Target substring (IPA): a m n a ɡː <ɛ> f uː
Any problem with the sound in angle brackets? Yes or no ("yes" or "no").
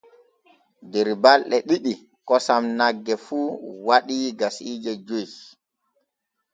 no